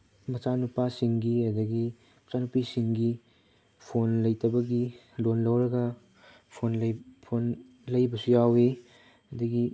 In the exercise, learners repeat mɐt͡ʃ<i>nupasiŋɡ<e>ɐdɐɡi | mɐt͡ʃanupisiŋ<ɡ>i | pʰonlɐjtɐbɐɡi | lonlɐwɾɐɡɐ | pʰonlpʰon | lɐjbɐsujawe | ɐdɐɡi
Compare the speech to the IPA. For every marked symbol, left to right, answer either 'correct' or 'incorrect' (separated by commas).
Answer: incorrect, incorrect, correct